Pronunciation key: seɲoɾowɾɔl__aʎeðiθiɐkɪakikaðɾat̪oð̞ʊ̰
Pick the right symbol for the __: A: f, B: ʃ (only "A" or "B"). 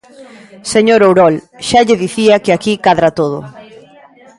B